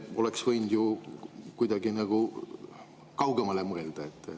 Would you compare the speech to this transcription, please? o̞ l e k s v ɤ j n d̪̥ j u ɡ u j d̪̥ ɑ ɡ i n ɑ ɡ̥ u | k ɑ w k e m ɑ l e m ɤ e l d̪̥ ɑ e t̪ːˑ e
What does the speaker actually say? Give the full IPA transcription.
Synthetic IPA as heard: o̞ l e k s v ɤ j n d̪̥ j u k u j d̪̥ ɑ ɡ i n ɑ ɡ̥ u | k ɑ w ɡ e m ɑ l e m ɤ e l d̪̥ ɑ e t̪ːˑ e